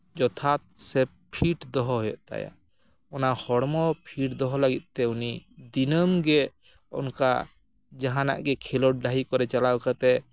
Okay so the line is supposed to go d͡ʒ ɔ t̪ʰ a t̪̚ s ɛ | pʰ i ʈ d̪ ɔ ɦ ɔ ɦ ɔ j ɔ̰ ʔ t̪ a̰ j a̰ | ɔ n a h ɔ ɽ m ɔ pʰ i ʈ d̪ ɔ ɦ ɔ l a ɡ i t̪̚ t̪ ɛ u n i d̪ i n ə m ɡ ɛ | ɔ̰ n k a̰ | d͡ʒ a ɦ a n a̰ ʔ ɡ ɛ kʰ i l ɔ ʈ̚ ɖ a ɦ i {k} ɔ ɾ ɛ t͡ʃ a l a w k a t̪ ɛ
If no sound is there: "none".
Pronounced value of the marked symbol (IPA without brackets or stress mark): k